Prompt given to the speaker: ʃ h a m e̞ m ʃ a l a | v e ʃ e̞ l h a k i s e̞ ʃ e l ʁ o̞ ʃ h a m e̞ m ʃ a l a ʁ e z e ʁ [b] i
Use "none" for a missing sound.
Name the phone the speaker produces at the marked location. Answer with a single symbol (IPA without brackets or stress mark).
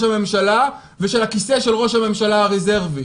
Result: v